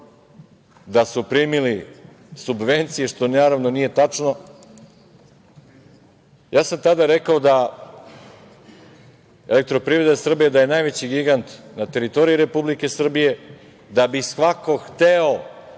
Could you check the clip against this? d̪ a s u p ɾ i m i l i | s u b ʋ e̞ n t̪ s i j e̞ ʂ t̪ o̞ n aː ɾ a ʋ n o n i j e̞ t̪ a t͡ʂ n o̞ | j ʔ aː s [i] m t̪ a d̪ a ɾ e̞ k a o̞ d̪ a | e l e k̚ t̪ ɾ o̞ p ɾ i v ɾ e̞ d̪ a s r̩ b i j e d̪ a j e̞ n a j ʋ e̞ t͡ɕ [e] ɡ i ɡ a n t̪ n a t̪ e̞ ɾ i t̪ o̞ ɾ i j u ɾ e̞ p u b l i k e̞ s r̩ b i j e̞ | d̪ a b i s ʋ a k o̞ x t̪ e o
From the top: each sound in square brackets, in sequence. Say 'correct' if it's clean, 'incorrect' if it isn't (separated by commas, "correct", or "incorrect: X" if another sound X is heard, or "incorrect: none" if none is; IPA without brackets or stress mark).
incorrect: a, incorrect: i